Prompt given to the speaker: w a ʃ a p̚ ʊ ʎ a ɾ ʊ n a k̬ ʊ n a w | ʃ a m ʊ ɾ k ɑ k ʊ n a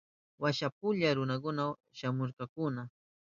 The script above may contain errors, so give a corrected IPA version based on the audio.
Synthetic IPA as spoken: w a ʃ a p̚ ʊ ʎ a ɾ ʊ n a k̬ ʊ n a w | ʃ a m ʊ ɾ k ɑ k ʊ n a